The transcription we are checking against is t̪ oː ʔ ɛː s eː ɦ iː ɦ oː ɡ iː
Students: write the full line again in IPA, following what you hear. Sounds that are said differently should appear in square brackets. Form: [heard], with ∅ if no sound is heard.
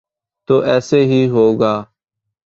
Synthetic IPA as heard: t̪ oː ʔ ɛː s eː ɦ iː ɦ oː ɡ [aː]